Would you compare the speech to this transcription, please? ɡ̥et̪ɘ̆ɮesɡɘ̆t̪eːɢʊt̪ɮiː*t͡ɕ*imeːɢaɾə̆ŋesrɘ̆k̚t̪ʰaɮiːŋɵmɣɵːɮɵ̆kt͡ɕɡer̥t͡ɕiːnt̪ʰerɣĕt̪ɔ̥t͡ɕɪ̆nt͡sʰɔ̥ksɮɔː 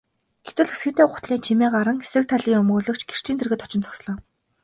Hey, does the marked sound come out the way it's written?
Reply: no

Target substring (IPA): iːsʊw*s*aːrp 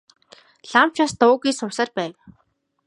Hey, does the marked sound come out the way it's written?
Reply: yes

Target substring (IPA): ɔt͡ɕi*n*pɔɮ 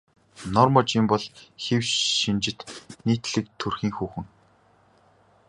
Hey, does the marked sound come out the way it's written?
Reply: no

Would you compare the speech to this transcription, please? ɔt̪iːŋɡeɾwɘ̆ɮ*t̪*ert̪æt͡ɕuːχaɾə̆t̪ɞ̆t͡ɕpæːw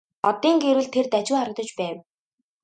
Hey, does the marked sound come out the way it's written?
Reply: no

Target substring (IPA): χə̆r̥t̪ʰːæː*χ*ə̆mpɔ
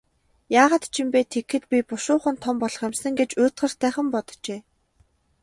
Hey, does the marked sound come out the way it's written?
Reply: yes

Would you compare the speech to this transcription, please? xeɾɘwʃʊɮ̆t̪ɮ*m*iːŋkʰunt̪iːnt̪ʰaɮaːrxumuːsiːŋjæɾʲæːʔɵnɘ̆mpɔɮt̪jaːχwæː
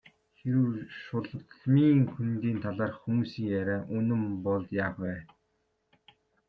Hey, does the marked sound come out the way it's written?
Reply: yes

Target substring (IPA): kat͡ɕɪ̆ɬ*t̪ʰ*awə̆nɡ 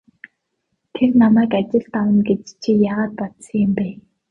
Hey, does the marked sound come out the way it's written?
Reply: no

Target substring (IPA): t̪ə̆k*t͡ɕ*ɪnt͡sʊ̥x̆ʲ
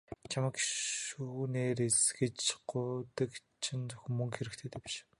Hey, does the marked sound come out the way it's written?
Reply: no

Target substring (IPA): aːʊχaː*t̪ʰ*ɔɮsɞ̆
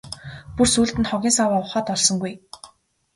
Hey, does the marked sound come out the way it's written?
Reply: no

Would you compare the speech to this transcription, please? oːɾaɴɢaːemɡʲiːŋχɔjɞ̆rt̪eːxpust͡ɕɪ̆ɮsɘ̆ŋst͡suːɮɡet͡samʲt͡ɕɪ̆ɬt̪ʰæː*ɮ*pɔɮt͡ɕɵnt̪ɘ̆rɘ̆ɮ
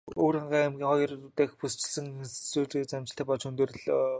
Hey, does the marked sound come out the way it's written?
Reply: no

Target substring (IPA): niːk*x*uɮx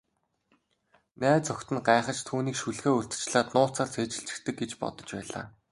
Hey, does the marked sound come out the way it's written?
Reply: no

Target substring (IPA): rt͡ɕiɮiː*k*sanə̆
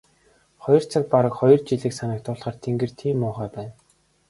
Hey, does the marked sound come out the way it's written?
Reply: yes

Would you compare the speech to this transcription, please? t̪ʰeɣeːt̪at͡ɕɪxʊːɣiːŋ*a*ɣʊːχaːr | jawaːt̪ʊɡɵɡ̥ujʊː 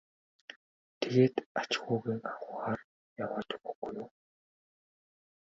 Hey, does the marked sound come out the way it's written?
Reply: yes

